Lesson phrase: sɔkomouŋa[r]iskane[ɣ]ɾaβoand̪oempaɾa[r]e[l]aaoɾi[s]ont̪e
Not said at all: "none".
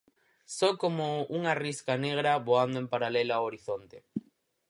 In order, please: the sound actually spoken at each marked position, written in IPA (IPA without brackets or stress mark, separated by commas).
r, ɣ, l, l, θ